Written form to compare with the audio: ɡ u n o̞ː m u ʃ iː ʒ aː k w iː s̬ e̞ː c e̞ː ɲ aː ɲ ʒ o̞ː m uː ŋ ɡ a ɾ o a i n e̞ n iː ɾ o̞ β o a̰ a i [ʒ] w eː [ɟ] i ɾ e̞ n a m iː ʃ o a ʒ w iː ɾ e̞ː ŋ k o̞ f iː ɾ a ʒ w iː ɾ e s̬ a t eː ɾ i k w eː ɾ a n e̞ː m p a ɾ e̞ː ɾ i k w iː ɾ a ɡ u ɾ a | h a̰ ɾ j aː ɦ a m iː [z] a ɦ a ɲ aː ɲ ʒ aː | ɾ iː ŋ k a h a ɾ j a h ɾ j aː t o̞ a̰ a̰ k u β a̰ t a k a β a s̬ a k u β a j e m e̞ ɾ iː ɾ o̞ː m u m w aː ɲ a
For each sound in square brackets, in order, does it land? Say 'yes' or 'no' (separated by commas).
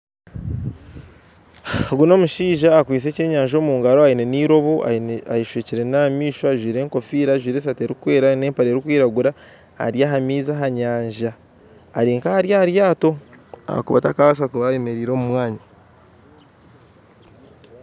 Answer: no, no, yes